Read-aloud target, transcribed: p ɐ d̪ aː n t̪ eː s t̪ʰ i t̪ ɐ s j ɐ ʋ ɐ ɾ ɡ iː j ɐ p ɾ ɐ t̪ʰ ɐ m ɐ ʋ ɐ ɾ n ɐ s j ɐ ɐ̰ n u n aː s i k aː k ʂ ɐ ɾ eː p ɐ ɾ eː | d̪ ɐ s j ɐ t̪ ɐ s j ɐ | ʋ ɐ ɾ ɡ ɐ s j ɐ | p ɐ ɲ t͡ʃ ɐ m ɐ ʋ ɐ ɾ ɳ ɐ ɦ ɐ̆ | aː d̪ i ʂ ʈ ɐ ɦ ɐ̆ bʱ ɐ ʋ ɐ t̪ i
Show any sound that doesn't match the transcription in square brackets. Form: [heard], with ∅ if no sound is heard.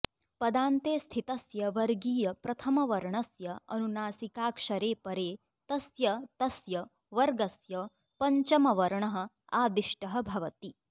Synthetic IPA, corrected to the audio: p ɐ d̪ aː n t̪ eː s t̪ʰ i t̪ ɐ s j ɐ ʋ ɐ ɾ ɡ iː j ɐ p ɾ ɐ t̪ʰ ɐ m ɐ ʋ ɐ ɾ [ɳ] ɐ s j ɐ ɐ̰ n u n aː s i k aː k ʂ ɐ ɾ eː p ɐ ɾ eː | [t̪] ɐ s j ɐ t̪ ɐ s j ɐ | ʋ ɐ ɾ ɡ ɐ s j ɐ | p ɐ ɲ t͡ʃ ɐ m ɐ ʋ ɐ ɾ ɳ ɐ ɦ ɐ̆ | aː d̪ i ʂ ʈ ɐ ɦ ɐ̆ bʱ ɐ ʋ ɐ t̪ i